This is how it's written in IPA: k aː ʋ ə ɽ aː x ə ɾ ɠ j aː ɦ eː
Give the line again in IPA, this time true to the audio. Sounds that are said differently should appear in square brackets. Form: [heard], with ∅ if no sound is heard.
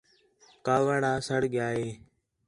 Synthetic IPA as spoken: k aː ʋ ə ɽ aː [s] ə [ɽ] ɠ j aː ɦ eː